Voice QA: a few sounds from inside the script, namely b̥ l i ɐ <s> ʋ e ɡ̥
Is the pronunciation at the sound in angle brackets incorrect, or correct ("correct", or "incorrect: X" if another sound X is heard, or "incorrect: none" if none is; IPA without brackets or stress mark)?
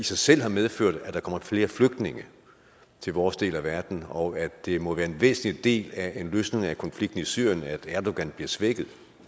correct